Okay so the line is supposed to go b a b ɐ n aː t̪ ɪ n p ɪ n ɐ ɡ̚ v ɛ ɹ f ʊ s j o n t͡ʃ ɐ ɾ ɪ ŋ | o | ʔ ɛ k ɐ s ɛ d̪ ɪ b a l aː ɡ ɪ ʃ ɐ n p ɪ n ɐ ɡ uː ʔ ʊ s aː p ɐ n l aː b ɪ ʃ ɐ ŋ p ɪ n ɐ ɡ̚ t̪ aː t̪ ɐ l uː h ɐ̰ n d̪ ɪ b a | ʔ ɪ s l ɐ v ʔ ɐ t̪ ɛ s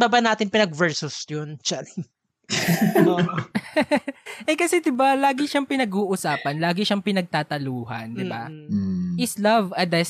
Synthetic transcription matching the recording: b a b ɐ n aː t̪ ɪ n p ɪ n ɐ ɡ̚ v ɛ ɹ s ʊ s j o n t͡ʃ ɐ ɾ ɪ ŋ | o | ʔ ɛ k ɐ s ɛ d̪ ɪ b a l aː ɡ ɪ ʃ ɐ ŋ p ɪ n ɐ ɡ uː ʔ ʊ s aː p ɐ n l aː ɡ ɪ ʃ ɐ ŋ p ɪ n ɐ ɡ̚ t̪ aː t̪ ɐ l uː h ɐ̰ n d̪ ɪ b a | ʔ ɪ s l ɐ v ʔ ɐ d̪ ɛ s